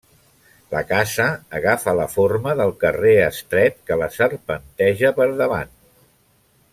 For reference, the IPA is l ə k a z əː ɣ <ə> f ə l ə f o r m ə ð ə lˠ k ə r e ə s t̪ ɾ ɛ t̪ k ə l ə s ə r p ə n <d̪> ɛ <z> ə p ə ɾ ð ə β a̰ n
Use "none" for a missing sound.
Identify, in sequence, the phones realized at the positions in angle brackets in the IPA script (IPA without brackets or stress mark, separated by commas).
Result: a, t̪, ʒ